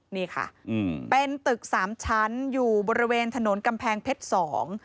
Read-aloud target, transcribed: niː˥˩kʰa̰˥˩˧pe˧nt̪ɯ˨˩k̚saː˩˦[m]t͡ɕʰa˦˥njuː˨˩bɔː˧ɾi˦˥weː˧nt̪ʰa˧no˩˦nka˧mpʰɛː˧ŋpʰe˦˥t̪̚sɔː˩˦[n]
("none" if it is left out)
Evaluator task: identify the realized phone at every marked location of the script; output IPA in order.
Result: m, ŋ

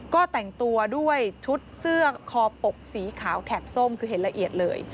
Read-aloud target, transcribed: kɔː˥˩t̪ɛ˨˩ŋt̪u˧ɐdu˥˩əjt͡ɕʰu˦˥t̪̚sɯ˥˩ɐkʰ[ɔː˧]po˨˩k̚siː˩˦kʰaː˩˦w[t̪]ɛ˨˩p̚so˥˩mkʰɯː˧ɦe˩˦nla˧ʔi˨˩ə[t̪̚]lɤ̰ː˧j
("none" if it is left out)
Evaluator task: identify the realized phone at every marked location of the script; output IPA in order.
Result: ɔː˧, t̪ʰ, t̪̚

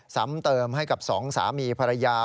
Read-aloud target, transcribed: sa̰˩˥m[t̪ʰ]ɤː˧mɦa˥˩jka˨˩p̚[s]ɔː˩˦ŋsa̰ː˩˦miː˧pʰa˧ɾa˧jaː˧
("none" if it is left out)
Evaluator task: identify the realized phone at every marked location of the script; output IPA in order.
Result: t̪, s

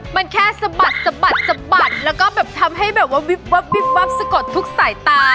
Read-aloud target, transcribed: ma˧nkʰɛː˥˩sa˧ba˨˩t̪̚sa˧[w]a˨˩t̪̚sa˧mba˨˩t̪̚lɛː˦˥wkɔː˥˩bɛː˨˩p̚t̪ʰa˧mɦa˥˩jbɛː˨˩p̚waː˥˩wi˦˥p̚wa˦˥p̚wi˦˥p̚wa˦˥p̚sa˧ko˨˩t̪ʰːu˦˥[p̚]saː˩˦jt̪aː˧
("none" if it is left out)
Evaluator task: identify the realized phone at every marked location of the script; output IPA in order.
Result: b, k̚

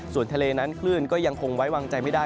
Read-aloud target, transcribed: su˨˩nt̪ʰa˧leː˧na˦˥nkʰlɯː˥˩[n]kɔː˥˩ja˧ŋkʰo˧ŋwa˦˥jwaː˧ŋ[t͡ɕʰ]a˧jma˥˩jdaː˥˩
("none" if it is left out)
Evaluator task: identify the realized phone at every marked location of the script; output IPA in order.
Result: n, t͡ɕ

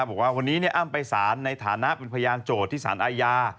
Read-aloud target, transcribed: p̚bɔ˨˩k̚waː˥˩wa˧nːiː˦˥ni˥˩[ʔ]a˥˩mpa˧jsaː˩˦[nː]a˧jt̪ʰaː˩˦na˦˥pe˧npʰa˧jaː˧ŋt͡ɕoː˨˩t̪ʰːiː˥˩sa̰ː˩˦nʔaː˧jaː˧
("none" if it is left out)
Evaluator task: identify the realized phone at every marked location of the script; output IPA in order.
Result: ʔ, nː

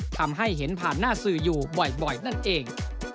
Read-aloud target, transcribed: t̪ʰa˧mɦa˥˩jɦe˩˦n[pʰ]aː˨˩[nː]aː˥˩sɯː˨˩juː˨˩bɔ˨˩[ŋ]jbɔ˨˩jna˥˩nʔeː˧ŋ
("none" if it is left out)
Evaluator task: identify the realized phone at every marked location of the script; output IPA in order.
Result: pʰ, nː, none

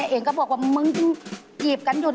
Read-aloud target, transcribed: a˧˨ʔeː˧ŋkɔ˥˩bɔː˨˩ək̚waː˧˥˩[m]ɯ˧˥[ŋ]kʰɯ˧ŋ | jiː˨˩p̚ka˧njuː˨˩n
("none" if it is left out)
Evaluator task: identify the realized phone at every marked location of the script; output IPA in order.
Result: m, ŋ

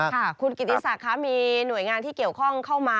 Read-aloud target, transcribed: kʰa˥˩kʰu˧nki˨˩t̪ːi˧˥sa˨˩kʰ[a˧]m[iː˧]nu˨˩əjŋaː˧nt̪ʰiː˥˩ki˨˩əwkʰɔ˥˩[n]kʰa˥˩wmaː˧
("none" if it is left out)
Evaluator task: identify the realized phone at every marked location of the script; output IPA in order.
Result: a˦˥, iː˧, ŋ

